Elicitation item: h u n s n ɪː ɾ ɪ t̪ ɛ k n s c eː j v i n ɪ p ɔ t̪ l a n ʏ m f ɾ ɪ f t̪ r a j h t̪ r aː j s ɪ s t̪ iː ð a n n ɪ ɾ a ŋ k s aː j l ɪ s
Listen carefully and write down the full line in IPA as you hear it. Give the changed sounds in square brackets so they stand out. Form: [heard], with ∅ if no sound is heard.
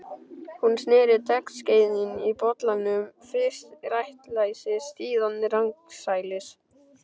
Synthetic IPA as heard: h u n s n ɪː ɾ ɪ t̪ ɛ k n s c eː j [ð] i n [i] p ɔ t̪ l a n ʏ m f ɾ ɪ [s] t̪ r a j h t̪ [l] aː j s ɪ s t̪ iː ð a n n ɪ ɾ a ŋ k s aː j l ɪ s